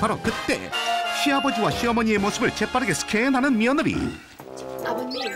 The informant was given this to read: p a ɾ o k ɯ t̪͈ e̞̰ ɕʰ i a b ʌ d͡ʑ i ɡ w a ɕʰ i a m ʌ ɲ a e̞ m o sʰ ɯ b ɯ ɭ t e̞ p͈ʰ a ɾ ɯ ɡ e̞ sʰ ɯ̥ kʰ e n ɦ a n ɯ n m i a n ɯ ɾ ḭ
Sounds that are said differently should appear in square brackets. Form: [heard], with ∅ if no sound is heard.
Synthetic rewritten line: p a ɾ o k ɯ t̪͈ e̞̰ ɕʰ i a b ʌ d͡ʑ i [∅] w a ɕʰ i [ʌ] m ʌ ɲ [i] e̞ m o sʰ ɯ b ɯ ɭ [t͡ɕ] e̞ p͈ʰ a ɾ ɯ ɡ e̞ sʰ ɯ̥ kʰ e n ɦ a n ɯ n m i [ʌ] n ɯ ɾ ḭ